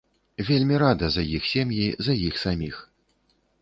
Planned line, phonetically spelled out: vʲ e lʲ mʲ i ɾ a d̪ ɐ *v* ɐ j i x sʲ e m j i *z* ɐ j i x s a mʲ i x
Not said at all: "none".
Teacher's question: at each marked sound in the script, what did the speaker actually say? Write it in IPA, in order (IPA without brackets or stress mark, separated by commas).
z, z